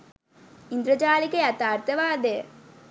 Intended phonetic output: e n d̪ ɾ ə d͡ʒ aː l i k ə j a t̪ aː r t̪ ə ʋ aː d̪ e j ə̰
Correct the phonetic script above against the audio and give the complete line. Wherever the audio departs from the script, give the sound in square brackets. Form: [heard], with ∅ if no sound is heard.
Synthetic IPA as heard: [i] n d̪ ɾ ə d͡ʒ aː l i k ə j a t̪ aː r t̪ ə ʋ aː d̪ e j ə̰